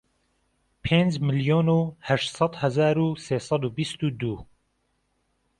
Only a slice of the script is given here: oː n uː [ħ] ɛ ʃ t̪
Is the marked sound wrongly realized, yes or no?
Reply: yes